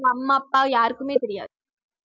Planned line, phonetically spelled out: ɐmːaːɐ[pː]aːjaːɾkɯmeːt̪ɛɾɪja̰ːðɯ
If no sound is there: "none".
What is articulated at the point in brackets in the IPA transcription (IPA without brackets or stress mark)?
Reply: pː